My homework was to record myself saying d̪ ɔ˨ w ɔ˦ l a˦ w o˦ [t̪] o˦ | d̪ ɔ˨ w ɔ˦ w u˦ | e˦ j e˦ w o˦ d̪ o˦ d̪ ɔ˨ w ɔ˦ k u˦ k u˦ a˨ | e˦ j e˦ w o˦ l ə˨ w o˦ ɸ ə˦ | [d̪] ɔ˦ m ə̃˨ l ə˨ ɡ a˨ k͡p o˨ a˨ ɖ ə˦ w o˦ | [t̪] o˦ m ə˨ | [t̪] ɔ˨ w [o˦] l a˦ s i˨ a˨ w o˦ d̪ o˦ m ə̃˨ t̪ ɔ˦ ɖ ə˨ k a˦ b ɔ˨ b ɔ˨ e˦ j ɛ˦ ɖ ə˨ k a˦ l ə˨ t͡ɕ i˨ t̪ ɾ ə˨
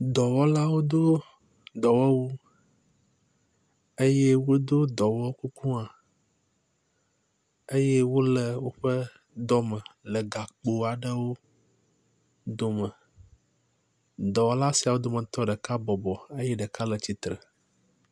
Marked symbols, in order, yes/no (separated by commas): no, yes, no, no, no